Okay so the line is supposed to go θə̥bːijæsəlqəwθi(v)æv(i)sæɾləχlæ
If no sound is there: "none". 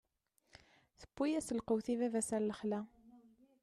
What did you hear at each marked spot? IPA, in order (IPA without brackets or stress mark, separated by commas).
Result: v, æ